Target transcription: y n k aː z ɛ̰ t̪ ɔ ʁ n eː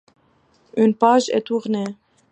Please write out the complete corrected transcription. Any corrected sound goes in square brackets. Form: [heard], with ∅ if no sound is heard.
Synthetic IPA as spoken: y n [p] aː [ʒ] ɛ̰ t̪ [u] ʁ n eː